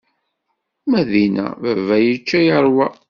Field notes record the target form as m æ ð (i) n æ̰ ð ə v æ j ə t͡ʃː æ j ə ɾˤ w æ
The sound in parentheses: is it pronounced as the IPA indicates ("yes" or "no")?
yes